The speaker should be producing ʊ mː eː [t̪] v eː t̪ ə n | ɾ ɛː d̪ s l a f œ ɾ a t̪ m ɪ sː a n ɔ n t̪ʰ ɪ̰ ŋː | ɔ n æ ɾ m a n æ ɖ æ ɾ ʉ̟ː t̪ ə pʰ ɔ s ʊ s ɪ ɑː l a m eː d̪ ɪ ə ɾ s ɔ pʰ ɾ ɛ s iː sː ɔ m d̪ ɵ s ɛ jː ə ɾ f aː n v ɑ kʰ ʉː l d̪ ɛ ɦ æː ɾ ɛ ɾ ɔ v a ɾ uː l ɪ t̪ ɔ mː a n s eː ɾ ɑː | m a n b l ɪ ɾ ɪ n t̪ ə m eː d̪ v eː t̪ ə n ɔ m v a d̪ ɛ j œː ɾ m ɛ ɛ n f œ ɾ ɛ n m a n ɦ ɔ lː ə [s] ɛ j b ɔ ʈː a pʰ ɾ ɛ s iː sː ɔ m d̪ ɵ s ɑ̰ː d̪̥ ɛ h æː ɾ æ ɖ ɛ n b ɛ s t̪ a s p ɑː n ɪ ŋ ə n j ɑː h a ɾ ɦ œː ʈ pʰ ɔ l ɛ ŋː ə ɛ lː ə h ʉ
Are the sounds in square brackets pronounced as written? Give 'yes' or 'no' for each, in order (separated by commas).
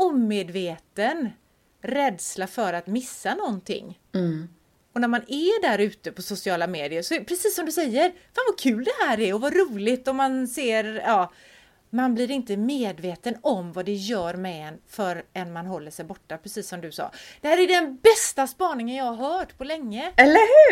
no, no